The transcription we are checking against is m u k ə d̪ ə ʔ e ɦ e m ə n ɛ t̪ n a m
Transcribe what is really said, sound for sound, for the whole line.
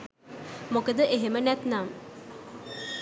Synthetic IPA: m o k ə d̪ ə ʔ e ɦ e m ə n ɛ t̪ n a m